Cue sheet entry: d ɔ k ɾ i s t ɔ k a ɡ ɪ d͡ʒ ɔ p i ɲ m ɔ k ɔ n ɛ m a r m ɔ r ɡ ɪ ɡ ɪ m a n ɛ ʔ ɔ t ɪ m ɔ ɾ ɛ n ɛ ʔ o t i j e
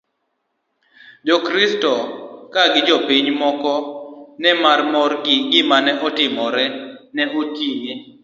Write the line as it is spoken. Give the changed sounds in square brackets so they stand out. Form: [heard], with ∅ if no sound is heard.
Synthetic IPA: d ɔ k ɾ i s t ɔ k a ɡ ɪ d͡ʒ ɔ p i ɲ m ɔ k ɔ n ɛ m a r m ɔ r ɡ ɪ ɡ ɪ m a n ɛ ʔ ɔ t ɪ m ɔ ɾ ɛ n ɛ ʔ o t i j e